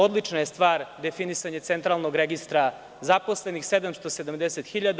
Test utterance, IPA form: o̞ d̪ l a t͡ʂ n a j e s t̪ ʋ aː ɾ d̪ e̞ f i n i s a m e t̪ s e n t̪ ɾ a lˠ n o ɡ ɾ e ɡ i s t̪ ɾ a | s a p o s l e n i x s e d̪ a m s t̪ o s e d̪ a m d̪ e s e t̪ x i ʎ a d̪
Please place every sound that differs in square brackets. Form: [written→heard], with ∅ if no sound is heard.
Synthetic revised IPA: o̞ d̪ l [a→i] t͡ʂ n a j e s t̪ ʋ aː ɾ d̪ e̞ f i n i s a [m→ɲ] e t̪ s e n t̪ ɾ a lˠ n o ɡ ɾ e ɡ i s t̪ ɾ a | [s→z] a p o s l e n i x s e d̪ a m s t̪ o s e d̪ a m d̪ e s e t̪ x i ʎ a d̪